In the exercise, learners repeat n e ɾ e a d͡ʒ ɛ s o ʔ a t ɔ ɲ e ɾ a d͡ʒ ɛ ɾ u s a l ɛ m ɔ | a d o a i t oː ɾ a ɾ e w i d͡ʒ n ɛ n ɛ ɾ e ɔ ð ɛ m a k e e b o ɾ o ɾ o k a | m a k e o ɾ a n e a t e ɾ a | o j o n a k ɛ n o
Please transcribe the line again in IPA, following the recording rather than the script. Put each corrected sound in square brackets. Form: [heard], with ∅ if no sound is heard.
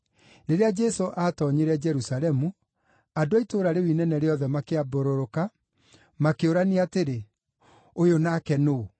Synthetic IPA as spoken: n e ɾ e a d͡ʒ ɛ s o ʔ a t ɔ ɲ e ɾ [ɛ] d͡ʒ ɛ ɾ u s a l ɛ m [u] | a d o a i t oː ɾ a ɾ e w i [∅] n ɛ n ɛ ɾ e ɔ ð ɛ m a k e [a] b o ɾ o ɾ o k a | m a k e o ɾ a n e a t e ɾ [e] | o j o n a k ɛ n o